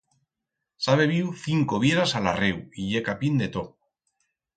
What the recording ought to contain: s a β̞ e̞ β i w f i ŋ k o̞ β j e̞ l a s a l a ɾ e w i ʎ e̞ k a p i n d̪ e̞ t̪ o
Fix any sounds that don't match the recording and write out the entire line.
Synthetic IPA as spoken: s a β̞ e̞ β i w θ i ŋ k o̞ β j e̞ ɾ a s a l a r e w i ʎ e̞ k a p i n d̪ e̞ t̪ o